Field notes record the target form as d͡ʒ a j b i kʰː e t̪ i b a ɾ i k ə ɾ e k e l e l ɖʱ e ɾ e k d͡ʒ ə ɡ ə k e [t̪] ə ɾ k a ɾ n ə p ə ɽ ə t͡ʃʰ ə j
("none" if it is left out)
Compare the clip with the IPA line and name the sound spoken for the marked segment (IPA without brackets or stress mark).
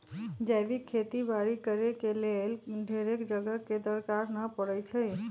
d̪